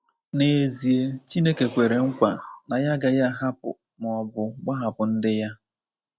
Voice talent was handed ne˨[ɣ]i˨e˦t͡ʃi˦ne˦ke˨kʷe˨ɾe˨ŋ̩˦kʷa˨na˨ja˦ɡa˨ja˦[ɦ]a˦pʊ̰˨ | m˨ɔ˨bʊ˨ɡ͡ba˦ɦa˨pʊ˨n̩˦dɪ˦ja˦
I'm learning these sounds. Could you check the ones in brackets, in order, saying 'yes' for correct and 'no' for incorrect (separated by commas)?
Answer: no, yes